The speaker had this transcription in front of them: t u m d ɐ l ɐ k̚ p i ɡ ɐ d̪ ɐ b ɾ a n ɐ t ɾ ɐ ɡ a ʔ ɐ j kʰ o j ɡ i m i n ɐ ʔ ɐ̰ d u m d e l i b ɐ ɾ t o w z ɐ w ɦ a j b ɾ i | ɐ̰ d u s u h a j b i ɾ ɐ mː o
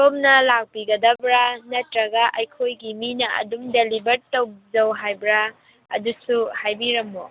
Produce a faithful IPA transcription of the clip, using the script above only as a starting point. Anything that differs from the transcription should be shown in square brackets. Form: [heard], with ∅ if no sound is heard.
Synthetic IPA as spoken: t [o] m [n] ɐ l [a] k̚ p i ɡ ɐ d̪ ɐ b ɾ a n ɐ t ɾ ɐ ɡ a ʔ ɐ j kʰ o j ɡ i m i n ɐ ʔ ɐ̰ d u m d e l i b ɐ ɾ t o w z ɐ w ɦ a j b ɾ [a] | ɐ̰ d u s u h a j b i ɾ ɐ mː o